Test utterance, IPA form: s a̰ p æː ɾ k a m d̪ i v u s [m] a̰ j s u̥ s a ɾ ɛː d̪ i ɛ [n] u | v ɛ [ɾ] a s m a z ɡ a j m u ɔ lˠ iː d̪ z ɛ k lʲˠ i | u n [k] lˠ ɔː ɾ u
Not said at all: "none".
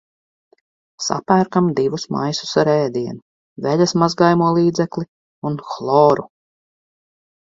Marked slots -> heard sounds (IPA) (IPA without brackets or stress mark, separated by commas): m, n, ʎ, x